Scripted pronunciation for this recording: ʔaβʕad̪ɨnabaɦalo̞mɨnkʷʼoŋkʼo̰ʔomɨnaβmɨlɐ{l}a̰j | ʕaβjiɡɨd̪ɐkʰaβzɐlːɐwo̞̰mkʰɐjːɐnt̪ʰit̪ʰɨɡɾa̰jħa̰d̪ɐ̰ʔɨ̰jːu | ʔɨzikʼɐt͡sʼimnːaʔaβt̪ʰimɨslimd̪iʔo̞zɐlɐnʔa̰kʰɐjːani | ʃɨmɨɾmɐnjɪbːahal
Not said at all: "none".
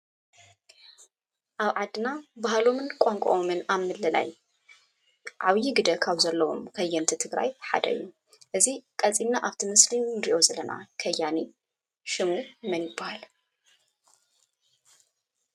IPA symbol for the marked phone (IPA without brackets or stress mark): l